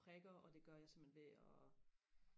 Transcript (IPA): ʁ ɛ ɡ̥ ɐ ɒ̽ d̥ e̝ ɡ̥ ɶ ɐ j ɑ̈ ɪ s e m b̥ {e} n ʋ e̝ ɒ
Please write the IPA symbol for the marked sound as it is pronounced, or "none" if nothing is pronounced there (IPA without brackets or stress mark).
e